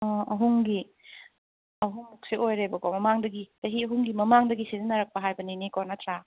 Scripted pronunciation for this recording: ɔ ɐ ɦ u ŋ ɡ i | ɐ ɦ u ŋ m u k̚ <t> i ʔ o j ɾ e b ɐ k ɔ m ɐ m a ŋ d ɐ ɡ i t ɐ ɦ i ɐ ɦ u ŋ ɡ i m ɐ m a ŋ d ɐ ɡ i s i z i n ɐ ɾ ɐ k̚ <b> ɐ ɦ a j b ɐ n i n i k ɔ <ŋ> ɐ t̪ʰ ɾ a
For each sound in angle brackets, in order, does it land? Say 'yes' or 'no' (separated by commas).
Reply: no, no, no